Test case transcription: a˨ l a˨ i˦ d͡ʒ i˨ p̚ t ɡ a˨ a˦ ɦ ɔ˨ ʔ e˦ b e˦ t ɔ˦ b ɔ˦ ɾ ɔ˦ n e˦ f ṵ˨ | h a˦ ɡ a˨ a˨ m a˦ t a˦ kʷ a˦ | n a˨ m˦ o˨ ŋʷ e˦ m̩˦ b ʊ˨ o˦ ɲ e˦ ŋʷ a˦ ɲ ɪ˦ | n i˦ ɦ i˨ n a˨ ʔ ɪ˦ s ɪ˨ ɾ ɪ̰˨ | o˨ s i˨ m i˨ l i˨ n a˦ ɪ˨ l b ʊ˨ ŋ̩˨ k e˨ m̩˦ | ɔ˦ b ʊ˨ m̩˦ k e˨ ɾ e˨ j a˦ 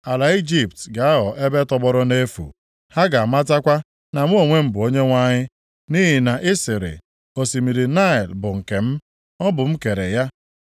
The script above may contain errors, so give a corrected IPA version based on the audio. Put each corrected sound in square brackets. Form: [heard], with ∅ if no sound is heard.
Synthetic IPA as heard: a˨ l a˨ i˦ d͡ʒ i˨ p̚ t ɡ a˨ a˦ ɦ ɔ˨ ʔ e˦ b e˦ t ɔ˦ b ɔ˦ ɾ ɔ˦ n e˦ f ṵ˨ | h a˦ ɡ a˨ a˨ m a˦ t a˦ kʷ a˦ | n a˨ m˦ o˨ ŋʷ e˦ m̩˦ b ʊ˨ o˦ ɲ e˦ ŋʷ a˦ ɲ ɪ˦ | n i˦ ɦ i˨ n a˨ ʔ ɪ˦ s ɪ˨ ɾ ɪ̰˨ | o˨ s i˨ m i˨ [ɾ] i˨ n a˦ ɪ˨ l b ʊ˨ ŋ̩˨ k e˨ m̩˦ | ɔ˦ b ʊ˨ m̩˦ k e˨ ɾ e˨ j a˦